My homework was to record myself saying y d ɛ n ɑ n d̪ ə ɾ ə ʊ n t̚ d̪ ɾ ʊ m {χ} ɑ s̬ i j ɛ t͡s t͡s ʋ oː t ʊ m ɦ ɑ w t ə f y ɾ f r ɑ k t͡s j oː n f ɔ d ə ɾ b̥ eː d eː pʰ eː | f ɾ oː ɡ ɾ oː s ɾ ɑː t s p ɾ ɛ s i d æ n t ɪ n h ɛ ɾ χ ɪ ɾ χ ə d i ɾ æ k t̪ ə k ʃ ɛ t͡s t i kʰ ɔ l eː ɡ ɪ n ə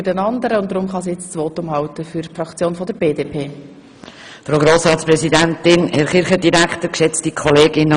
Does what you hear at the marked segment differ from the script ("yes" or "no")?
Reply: no